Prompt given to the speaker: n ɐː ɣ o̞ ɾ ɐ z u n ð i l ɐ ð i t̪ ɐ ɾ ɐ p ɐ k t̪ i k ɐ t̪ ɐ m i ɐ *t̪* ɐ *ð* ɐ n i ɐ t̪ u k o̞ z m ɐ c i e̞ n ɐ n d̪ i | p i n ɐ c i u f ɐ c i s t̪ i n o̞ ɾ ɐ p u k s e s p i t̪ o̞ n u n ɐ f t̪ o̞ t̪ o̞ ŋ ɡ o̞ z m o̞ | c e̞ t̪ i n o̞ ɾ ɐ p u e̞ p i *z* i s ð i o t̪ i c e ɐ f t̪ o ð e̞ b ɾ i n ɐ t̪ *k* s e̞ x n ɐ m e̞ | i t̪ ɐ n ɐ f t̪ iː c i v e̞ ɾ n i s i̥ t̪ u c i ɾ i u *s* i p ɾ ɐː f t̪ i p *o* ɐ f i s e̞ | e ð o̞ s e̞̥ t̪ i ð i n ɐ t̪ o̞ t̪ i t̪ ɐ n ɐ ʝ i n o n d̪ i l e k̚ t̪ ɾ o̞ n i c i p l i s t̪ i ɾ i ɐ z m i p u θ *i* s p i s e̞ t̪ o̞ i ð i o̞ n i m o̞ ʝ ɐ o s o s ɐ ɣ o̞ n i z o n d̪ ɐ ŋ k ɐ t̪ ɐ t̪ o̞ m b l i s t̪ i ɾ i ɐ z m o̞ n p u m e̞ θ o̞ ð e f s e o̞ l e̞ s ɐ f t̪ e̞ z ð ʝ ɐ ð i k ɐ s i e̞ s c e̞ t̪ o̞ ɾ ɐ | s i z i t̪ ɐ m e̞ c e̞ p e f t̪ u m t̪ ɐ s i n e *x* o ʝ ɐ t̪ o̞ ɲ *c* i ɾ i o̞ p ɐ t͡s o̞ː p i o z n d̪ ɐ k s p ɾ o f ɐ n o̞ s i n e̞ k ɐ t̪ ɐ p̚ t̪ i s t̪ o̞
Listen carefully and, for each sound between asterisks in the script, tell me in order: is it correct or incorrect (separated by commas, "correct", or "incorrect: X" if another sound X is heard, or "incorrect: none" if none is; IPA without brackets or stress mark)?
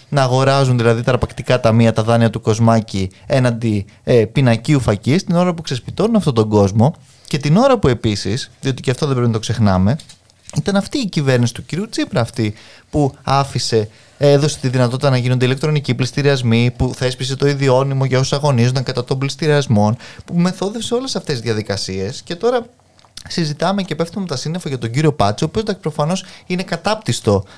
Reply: correct, correct, incorrect: s, correct, incorrect: t͡s, incorrect: u, incorrect: e, incorrect: f, incorrect: ɟ